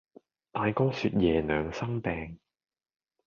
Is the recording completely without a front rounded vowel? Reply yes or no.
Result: no